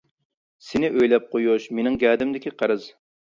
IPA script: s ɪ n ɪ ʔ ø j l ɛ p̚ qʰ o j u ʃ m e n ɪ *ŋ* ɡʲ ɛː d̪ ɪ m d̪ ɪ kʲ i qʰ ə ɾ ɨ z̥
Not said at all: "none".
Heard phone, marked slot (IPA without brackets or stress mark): ŋ